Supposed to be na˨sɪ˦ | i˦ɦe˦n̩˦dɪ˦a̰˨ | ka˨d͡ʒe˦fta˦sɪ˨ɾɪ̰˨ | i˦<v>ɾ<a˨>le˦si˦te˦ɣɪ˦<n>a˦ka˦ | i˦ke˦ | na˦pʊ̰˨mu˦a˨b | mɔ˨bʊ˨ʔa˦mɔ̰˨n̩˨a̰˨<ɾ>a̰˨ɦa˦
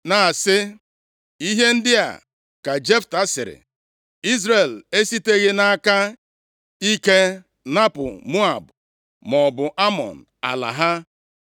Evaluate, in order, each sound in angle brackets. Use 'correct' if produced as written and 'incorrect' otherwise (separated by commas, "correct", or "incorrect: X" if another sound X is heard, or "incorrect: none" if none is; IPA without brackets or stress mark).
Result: incorrect: z, incorrect: e˨, correct, incorrect: l